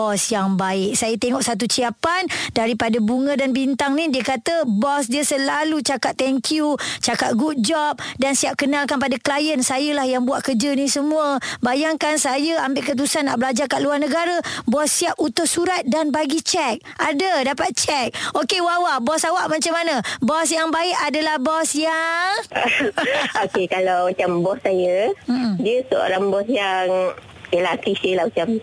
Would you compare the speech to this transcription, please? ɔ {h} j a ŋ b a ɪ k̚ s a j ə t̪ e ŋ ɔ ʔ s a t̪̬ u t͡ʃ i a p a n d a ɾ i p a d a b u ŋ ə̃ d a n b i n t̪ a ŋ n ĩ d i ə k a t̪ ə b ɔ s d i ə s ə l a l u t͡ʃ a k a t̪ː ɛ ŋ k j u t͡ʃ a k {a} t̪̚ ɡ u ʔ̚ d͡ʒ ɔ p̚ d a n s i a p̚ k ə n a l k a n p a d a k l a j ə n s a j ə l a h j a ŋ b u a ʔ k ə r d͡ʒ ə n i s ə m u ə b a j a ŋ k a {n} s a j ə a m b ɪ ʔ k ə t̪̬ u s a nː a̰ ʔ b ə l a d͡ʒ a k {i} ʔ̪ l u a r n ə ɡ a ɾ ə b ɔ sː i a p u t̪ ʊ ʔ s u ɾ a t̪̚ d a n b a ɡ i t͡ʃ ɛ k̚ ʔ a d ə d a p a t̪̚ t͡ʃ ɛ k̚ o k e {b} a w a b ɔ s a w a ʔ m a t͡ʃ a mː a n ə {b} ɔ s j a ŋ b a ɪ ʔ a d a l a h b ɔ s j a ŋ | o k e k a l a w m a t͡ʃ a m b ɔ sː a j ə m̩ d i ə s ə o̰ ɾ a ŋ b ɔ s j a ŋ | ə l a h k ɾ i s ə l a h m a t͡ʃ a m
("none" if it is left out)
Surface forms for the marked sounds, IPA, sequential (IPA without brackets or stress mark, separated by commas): s, a, n, a, w, b